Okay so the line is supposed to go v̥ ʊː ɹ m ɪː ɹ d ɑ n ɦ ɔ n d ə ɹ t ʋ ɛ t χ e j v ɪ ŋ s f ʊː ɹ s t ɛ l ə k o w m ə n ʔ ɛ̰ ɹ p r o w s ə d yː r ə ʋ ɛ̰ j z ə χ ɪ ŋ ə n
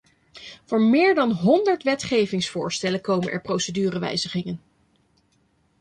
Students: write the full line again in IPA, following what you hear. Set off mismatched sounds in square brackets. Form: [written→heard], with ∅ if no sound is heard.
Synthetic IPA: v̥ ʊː ɹ m ɪː ɹ d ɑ n ɦ ɔ n d ə ɹ t ʋ ɛ t χ e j v ɪ ŋ s f ʊː ɹ s t ɛ l ə k o w m ə n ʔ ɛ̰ ɹ p r o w s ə d yː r ə ʋ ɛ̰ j z ə χ ɪ ŋ ə n